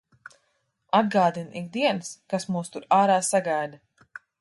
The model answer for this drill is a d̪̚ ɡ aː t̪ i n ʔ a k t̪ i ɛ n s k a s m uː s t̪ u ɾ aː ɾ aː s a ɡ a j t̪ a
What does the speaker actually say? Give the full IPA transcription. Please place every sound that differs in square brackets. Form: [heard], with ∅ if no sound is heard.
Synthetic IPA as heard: a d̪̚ ɡ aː [d̪] i n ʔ [i] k [d̪] i ɛ n s k a s m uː s t̪ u ɾ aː ɾ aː s a ɡ a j [d̪] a